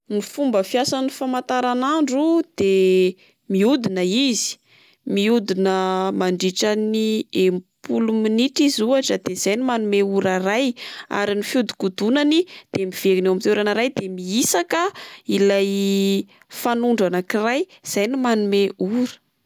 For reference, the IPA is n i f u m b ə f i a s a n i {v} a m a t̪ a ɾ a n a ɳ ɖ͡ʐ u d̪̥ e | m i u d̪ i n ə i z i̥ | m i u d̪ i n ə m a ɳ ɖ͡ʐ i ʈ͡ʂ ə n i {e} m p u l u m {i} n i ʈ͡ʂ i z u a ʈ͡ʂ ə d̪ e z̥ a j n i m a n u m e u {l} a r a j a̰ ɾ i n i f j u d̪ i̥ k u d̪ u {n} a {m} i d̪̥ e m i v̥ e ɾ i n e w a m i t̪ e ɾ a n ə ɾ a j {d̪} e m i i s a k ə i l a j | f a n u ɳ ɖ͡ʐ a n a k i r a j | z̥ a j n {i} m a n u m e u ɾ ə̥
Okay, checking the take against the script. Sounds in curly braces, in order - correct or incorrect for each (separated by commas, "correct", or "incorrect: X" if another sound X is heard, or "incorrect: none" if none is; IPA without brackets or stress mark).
incorrect: f, correct, correct, incorrect: ɾ, correct, incorrect: n, correct, correct